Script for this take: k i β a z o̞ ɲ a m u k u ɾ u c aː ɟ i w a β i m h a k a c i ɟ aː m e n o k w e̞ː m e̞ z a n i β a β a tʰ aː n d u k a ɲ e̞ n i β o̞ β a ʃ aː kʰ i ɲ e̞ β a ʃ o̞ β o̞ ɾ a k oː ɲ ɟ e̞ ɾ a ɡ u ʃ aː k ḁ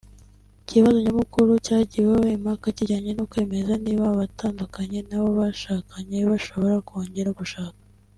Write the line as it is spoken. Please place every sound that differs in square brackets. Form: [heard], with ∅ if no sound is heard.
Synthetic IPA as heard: [c] i β a z o̞ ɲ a m u k u ɾ u c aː ɟ i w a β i m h a k a c i ɟ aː [ɲ] e n o k w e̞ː m e̞ z a n i β a β a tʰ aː n d u k a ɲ e̞ n [a] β o̞ β a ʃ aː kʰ [a] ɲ e̞ β a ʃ o̞ β o̞ ɾ a k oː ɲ ɟ e̞ ɾ a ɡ u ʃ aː k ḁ